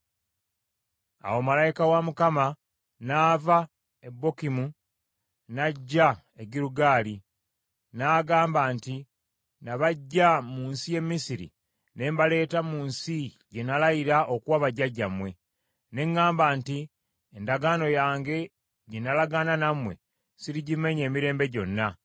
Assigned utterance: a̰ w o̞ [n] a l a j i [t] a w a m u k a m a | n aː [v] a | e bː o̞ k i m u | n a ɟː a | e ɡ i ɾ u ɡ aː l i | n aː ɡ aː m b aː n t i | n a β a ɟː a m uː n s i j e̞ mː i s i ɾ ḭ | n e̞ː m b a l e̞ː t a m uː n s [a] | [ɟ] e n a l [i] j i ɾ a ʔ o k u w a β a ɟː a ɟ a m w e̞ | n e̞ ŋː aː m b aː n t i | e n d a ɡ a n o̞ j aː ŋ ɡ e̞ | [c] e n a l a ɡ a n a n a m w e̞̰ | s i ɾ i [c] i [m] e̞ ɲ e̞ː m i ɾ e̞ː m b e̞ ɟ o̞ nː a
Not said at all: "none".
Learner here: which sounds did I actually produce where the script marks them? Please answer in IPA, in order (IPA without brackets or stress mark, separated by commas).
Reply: m, k, v, i, ɟ, a, ɟ, ɟ, m